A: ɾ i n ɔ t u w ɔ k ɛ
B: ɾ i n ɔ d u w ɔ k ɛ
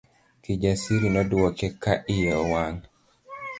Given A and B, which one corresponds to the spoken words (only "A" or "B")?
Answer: B